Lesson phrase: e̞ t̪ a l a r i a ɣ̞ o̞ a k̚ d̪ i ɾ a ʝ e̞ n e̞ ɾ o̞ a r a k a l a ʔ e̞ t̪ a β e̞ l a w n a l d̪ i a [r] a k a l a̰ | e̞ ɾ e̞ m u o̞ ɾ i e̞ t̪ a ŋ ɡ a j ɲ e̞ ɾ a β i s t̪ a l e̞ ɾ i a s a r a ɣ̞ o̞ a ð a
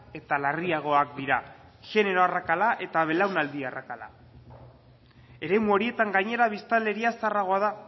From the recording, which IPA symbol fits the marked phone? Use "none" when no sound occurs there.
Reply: r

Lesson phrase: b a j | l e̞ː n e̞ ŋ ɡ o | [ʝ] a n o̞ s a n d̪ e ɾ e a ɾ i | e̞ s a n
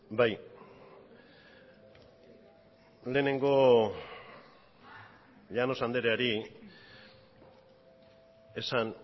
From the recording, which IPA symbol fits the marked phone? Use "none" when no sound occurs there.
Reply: ʎ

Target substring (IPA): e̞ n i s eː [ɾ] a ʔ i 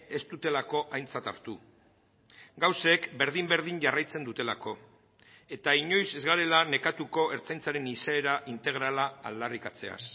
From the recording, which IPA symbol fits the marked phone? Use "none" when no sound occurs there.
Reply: ɾ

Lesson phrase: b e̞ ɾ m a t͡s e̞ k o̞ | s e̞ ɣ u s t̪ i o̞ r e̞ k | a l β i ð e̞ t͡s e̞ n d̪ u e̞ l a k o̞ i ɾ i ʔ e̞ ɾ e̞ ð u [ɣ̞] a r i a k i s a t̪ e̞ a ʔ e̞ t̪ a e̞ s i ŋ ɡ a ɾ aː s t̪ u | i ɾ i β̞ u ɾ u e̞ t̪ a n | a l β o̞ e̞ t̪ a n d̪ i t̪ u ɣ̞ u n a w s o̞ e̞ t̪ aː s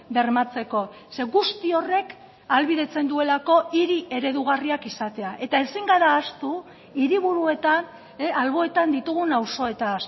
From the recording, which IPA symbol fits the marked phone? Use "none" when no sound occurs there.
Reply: ɣ̞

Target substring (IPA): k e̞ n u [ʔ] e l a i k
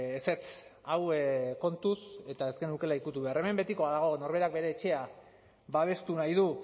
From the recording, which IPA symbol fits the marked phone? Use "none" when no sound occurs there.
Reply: k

